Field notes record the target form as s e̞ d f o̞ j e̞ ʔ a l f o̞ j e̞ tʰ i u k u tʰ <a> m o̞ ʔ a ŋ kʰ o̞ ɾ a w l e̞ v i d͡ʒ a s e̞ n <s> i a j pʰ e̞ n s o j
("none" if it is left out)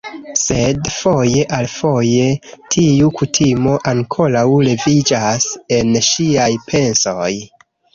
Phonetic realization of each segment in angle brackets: i, ʃ

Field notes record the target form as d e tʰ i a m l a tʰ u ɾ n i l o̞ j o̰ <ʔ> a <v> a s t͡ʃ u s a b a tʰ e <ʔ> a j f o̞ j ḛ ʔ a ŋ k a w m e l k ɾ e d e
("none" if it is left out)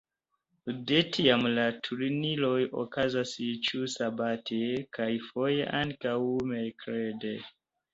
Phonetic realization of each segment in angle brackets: k, z, k

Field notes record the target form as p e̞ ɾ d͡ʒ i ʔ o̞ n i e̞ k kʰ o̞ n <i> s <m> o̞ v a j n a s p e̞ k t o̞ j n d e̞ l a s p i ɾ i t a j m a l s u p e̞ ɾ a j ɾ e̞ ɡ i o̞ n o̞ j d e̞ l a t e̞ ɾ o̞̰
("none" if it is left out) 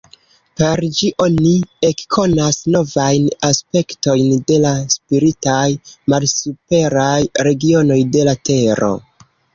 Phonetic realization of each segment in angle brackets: a, n

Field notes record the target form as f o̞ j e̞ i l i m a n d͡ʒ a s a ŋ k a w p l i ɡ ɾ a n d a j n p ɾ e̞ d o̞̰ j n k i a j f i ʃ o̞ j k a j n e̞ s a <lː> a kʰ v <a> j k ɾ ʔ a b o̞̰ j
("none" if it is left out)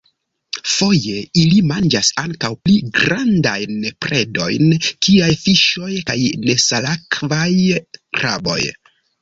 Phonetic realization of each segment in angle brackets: l, a

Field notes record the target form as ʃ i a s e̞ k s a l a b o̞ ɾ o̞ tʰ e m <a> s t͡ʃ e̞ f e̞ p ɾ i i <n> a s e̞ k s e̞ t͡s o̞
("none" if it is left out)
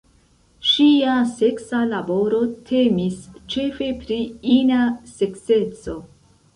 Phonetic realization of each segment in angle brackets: i, n

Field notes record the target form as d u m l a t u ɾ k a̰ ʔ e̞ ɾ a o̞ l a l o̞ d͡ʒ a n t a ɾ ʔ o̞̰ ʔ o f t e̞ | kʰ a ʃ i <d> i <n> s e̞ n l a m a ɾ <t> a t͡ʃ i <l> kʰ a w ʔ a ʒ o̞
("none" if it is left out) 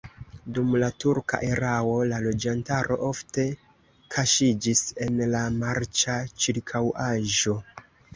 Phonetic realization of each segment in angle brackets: d͡ʒ, none, t͡ʃ, ɾ

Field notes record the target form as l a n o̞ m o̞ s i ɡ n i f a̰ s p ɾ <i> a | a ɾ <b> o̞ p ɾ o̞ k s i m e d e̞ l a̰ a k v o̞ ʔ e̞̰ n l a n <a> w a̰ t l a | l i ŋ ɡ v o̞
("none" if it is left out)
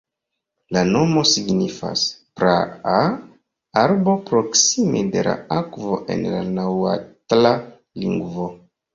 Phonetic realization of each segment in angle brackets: a, b, a

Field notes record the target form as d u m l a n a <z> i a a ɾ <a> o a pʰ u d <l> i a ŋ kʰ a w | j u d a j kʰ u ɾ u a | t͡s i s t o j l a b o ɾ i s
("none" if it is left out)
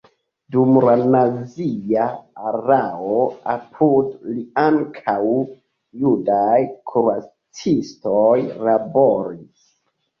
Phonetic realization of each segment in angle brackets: z, a, l

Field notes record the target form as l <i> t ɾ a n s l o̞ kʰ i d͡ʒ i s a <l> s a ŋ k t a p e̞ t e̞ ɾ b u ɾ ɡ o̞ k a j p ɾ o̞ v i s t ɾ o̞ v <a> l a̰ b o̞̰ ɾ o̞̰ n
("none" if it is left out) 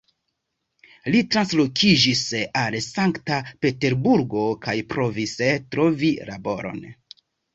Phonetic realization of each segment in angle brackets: i, l, i

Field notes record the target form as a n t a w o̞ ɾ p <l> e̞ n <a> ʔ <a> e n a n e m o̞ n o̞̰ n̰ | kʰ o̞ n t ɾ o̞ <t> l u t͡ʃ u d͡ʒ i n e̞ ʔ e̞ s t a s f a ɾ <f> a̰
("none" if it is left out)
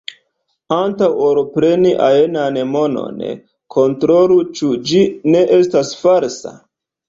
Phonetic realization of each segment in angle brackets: ɾ, i, a, none, s

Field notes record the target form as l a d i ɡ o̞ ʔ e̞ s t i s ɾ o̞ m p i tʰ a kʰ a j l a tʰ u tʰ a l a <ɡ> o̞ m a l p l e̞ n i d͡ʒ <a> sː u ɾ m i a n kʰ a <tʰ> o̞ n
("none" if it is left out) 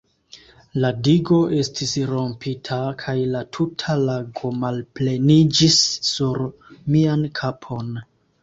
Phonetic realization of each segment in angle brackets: ɡ, i, pʰ

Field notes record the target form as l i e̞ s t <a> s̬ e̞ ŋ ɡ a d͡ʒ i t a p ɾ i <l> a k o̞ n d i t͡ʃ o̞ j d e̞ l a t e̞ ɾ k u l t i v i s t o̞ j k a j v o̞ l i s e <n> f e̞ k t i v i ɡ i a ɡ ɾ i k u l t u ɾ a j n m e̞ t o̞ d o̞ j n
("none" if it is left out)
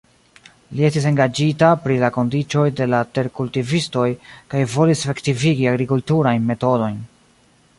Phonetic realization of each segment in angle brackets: i, l, none

